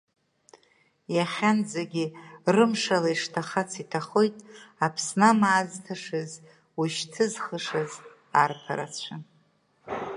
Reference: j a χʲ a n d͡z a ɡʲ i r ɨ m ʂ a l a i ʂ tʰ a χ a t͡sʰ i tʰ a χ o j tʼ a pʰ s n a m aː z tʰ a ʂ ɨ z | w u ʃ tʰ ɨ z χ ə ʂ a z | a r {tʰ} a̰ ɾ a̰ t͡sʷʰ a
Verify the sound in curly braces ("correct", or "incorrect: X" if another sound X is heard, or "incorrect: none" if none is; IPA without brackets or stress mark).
incorrect: pʰ